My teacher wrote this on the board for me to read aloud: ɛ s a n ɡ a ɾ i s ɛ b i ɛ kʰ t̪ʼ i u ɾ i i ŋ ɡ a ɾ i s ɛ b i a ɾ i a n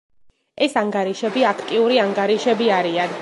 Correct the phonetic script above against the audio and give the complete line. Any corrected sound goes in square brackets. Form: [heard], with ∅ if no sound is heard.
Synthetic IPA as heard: ɛ s a [ŋ] ɡ a ɾ i [ʃ] ɛ b i [a] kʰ t̪ʼ i u ɾ i [a] ŋ ɡ a ɾ i [ʃ] ɛ b i a ɾ i a n